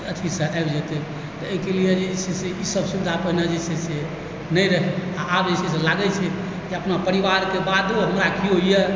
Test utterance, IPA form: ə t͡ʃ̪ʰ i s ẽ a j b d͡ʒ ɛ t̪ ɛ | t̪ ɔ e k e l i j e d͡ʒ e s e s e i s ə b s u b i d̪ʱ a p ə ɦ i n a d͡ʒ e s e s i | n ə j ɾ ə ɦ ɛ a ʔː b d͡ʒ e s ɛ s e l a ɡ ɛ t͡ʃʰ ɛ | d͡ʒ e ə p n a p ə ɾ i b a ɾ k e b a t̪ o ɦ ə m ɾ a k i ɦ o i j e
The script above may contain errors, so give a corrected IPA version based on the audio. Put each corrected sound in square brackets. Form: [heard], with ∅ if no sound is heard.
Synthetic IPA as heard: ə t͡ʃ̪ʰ i s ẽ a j b d͡ʒ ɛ t̪ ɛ | t̪ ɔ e k e l i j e d͡ʒ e s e s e i s ə b s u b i d̪ʱ a p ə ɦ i n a d͡ʒ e s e s [e] | n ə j ɾ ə ɦ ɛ a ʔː b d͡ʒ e s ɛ s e l a ɡ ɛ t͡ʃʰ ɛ | d͡ʒ e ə p n a p ə ɾ i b a ɾ k e b a [d̪] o ɦ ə m ɾ a k i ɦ o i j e